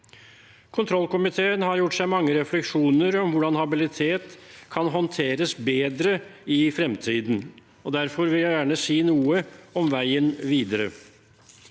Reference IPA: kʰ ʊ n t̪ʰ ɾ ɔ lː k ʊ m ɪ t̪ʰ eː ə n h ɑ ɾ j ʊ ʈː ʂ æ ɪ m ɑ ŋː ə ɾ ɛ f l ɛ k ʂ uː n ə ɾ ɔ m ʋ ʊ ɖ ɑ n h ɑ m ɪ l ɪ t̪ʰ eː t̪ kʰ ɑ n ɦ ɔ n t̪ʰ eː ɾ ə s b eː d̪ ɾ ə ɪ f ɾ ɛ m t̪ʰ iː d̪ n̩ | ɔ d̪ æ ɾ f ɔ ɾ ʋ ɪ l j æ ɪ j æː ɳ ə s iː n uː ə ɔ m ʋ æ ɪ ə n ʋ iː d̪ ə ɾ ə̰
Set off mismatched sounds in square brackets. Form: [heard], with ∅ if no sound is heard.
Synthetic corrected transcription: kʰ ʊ n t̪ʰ ɾ ɔ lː k ʊ m ɪ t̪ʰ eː ə n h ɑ ɾ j ʊ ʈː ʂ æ ɪ m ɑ ŋː ə ɾ ɛ f l ɛ k ʂ uː n ə ɾ ɔ m ʋ ʊ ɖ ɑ n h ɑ [b] ɪ l ɪ t̪ʰ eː t̪ kʰ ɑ n ɦ ɔ n t̪ʰ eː ɾ ə s b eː d̪ ɾ ə ɪ f ɾ ɛ m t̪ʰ iː d̪ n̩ | ɔ d̪ æ ɾ f ɔ ɾ ʋ ɪ l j æ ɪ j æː ɳ ə s iː n uː ə ɔ m ʋ æ ɪ ə n ʋ iː d̪ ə ɾ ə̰